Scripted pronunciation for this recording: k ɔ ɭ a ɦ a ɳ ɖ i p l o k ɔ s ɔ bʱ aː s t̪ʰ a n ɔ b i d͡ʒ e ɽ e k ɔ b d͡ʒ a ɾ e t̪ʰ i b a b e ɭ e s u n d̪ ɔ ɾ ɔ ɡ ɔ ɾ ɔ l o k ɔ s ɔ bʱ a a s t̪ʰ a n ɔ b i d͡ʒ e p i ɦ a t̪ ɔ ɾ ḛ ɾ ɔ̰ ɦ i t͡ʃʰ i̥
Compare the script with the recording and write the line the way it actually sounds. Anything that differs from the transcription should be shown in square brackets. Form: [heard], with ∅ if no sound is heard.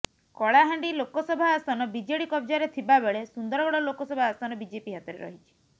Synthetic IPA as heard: k ɔ ɭ a ɦ a ɳ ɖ i [∅] l o k ɔ s ɔ bʱ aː s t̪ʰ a n ɔ b i d͡ʒ e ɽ [i] k ɔ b d͡ʒ a ɾ e t̪ʰ i b a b e ɭ e s u n d̪ ɔ ɾ ɔ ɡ ɔ [ɽ] ɔ l o k ɔ s ɔ bʱ a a s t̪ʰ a n ɔ b i d͡ʒ e p i ɦ a t̪ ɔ ɾ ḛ ɾ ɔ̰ ɦ i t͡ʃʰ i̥

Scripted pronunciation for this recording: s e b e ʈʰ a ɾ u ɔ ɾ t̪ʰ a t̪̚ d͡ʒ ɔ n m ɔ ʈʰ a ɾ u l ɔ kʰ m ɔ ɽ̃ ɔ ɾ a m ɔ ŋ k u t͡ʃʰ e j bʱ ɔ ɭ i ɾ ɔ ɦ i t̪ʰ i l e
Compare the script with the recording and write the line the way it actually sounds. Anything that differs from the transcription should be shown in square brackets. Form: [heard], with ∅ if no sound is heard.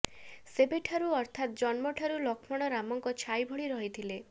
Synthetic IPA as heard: s e b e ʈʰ a ɾ u ɔ ɾ t̪ʰ a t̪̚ d͡ʒ ɔ n m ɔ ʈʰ a ɾ u l ɔ kʰ m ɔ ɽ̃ ɔ ɾ a m ɔ ŋ k [ɔ] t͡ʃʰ [a] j bʱ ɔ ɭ i ɾ ɔ ɦ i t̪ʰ i l e

